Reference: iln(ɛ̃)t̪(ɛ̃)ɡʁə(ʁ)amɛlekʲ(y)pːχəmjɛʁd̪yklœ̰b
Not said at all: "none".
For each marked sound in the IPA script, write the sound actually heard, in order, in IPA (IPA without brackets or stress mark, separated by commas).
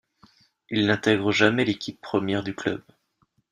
ɛ̃, ɛ, ʒ, i